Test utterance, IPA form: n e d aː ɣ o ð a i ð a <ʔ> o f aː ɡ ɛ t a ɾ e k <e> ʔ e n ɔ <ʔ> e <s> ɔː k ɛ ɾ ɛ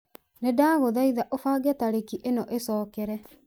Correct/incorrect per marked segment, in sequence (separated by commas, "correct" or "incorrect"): correct, incorrect, correct, correct